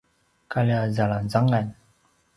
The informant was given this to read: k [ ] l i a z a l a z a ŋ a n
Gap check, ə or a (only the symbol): a